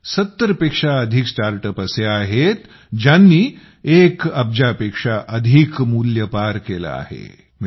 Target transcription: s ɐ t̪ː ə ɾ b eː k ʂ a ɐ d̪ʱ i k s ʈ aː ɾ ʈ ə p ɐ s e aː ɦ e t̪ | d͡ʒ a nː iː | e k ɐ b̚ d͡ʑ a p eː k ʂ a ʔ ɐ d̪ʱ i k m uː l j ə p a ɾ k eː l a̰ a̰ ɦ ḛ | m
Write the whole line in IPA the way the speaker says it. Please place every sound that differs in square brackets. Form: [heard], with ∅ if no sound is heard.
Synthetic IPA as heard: s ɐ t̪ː ə ɾ [p] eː k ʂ a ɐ d̪ʱ i k s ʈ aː ɾ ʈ ə p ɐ s e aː ɦ e t̪ | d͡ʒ a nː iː | e k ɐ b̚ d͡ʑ a p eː k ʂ a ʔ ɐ d̪ʱ i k m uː l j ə p a ɾ k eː l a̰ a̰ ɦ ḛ | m